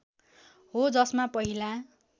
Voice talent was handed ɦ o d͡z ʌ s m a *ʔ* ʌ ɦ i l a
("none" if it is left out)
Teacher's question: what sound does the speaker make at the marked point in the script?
p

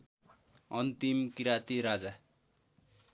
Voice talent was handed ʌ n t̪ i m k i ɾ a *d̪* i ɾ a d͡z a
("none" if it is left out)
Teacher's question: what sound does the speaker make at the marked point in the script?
t̪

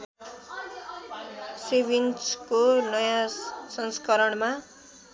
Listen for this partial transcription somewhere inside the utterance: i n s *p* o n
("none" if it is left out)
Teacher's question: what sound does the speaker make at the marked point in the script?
k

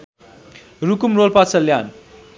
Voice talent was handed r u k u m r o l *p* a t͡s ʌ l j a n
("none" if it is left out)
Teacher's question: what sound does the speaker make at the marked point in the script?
p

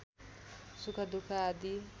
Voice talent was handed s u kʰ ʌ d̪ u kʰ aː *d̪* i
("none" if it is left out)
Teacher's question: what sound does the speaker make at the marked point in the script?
d̪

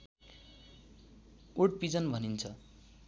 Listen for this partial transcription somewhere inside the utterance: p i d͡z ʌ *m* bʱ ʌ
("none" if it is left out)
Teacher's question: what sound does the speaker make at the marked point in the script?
n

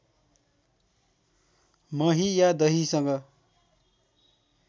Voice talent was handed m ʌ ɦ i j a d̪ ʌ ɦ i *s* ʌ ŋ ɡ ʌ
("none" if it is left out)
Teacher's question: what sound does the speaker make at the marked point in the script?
s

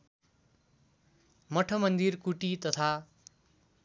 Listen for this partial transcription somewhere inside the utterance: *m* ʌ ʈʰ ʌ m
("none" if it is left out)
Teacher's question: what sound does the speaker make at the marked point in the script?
m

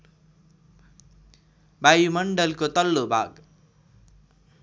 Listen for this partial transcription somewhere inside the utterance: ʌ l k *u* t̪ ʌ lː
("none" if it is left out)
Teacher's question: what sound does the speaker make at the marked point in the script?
o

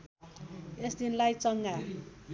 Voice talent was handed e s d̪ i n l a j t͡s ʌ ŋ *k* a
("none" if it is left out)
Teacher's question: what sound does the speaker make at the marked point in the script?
ɡ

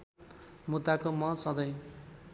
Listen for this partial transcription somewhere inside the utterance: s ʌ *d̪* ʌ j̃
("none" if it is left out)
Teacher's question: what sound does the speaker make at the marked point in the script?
d̪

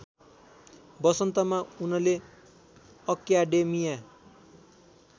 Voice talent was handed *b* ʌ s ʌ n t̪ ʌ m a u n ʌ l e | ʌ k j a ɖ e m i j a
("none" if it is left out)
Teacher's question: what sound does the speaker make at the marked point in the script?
b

